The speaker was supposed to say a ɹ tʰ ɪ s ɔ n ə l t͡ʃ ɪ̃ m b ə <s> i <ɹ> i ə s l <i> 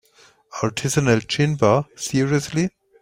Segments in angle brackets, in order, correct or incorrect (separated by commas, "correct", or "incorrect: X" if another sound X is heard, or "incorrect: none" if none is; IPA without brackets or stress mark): correct, correct, correct